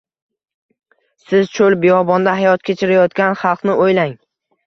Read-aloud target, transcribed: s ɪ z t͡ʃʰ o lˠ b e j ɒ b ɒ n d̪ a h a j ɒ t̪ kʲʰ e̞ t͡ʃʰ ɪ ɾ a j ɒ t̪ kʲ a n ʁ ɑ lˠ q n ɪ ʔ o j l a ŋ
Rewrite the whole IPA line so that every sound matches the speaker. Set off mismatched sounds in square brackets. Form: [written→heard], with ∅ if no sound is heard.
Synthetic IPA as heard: s ɪ z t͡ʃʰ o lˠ b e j ɒ b ɒ n d̪ a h a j ɒ t̪ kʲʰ e̞ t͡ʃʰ ɪ ɾ a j ɒ t̪ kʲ a n [ʁ→χ] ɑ lˠ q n ɪ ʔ o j l a ŋ